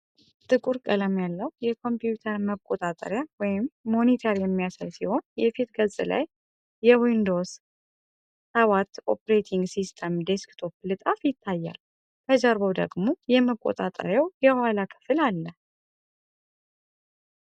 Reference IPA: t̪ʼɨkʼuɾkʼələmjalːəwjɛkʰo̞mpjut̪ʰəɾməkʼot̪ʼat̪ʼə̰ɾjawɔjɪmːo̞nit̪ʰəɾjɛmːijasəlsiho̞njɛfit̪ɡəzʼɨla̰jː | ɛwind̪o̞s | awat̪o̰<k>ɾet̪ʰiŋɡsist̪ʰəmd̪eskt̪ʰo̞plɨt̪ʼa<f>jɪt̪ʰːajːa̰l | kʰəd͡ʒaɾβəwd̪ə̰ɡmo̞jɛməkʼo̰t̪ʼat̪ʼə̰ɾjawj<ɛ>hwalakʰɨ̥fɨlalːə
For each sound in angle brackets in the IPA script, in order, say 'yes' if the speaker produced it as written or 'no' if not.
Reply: no, yes, yes

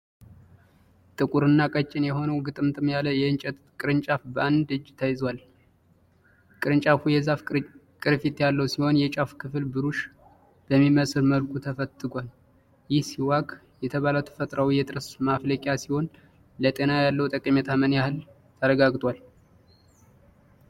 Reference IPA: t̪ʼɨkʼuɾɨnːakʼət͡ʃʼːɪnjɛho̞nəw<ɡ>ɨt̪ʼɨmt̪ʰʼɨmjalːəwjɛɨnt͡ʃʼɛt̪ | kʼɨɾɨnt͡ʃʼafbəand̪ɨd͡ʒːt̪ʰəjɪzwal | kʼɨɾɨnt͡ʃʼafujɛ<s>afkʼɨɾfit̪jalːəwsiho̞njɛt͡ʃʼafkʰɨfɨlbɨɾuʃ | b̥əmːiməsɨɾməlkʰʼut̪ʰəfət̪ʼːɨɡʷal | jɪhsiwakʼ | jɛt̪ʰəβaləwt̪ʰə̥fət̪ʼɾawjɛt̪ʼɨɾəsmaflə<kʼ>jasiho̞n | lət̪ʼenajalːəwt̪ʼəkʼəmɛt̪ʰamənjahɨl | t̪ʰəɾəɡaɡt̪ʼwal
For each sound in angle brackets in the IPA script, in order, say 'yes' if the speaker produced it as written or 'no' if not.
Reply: yes, no, yes

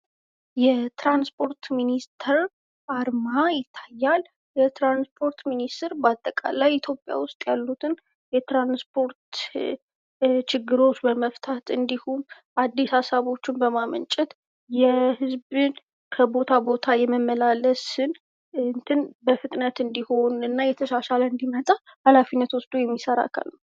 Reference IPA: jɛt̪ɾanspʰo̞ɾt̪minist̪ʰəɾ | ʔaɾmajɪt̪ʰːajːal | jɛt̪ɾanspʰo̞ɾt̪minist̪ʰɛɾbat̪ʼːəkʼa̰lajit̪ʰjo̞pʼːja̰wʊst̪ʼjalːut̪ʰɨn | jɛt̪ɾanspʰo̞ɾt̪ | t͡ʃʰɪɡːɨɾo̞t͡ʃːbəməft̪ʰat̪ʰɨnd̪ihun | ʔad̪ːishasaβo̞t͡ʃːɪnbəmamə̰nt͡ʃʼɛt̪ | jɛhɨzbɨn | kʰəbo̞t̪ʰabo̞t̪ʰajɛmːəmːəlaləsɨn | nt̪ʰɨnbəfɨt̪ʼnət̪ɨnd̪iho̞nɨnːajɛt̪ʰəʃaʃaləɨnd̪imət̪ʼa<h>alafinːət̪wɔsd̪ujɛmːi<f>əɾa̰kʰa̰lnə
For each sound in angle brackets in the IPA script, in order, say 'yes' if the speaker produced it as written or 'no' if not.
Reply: yes, no

